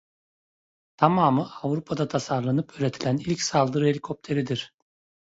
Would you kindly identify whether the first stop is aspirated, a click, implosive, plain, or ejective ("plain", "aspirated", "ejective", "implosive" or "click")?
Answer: aspirated